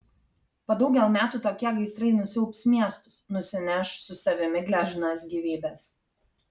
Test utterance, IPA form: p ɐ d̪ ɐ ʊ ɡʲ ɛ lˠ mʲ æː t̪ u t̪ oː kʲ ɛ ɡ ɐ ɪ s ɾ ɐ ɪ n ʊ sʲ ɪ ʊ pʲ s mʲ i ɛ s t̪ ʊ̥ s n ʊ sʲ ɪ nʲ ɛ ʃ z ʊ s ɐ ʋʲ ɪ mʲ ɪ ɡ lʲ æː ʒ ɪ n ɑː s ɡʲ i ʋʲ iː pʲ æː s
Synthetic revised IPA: p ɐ d̪ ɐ ʊ ɡʲ ɛ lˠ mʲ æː t̪ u t̪ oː kʲ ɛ ɡ ɐ ɪ s ɾ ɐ ɪ n ʊ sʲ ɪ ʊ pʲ s mʲ i ɛ s t̪ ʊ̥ s n ʊ sʲ ɪ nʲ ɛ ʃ s ʊ s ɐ ʋʲ ɪ mʲ ɪ ɡ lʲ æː ʒ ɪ n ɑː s ɡʲ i ʋʲ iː bʲ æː s